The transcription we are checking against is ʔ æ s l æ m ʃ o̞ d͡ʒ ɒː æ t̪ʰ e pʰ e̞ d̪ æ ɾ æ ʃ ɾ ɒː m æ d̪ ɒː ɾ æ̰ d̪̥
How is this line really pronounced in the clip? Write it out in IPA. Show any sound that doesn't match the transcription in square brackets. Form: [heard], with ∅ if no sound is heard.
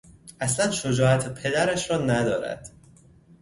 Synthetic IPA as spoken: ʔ æ s l æ [n] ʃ o̞ d͡ʒ ɒː æ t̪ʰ e pʰ e̞ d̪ æ ɾ æ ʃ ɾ ɒː [n] æ d̪ ɒː ɾ æ̰ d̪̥